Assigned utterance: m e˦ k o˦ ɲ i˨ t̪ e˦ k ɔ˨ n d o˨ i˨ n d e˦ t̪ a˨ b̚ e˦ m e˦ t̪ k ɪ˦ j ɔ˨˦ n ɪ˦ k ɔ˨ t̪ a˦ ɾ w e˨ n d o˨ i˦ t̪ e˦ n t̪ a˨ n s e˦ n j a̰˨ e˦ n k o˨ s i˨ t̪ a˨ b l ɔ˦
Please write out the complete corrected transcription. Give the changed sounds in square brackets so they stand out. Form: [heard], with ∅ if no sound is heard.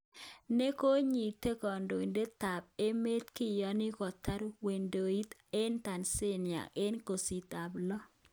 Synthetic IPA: [n] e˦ k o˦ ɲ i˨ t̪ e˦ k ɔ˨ n d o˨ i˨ n d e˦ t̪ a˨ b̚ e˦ m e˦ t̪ k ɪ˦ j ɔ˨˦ n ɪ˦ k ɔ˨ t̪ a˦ ɾ w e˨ n d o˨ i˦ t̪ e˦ n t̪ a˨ n s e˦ n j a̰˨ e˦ n k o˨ s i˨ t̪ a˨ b l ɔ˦